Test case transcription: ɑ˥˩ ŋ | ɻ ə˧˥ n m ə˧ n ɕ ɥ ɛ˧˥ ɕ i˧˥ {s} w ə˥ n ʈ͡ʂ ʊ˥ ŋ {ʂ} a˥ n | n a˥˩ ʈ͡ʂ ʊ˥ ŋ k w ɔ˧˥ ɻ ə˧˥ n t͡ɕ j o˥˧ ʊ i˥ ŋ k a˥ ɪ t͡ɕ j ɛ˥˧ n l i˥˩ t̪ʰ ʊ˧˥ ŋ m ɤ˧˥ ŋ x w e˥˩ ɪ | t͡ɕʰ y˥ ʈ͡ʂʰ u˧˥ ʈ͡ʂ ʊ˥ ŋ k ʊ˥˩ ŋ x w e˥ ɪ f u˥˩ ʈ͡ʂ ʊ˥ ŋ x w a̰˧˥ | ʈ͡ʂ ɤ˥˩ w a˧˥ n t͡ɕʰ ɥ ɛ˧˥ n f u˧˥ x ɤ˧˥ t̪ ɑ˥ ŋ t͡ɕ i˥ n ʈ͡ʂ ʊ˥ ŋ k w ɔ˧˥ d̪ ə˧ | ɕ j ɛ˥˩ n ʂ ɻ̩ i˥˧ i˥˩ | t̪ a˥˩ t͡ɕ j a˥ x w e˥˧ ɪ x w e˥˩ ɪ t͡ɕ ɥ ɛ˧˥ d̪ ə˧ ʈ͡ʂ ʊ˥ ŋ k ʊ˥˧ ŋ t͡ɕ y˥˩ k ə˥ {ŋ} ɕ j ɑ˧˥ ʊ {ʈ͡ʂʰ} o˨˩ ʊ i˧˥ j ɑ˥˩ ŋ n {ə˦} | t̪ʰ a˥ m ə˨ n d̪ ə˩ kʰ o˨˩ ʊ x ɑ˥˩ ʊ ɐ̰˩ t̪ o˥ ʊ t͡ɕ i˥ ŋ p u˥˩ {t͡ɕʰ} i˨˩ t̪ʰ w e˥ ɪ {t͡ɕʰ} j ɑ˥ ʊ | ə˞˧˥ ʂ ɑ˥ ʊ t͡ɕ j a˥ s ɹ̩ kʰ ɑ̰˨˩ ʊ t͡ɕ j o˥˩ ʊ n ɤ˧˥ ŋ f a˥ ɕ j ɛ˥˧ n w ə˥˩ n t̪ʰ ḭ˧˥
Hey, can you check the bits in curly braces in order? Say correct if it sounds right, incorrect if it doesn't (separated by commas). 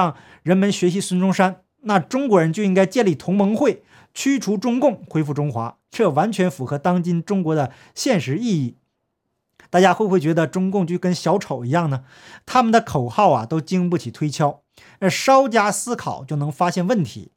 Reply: correct, correct, incorrect, correct, incorrect, correct, correct